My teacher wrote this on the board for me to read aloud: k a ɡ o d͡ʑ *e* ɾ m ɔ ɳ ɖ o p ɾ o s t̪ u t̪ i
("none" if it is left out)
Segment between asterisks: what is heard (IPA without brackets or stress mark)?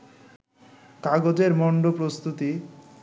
e